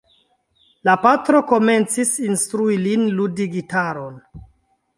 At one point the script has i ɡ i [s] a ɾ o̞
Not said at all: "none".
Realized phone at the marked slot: t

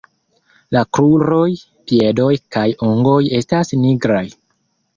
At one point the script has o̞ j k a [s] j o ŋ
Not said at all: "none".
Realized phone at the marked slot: none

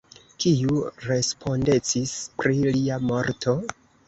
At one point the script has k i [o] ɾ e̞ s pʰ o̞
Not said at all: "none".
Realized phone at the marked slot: u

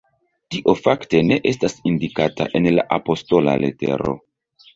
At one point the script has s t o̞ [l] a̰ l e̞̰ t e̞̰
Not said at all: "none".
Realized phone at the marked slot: l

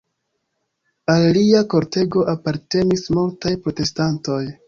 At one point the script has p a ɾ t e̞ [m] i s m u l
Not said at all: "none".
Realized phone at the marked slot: n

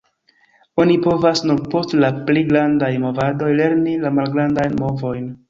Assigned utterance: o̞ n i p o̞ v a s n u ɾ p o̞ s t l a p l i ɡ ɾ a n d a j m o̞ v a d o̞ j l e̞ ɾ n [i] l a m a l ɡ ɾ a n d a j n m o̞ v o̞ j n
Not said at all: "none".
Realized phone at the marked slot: i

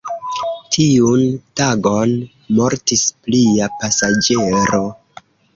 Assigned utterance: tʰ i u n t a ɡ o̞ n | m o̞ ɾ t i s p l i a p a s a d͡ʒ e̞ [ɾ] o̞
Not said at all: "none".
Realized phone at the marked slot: ɾ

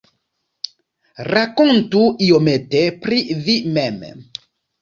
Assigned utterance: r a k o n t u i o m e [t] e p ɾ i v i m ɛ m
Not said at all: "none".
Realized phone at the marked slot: t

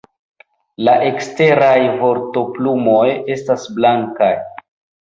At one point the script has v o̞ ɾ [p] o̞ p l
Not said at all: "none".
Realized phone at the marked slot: t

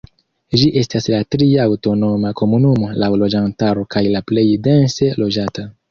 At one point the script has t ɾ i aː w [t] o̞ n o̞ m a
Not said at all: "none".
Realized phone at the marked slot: t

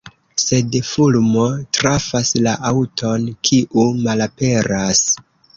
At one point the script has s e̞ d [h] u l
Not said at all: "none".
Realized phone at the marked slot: f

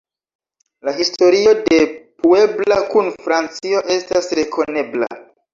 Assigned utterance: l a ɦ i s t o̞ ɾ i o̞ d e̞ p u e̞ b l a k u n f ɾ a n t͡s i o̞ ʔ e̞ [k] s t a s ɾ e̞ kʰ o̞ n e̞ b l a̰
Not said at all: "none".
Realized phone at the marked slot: none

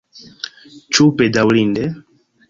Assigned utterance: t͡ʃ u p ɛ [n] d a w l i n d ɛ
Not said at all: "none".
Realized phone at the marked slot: none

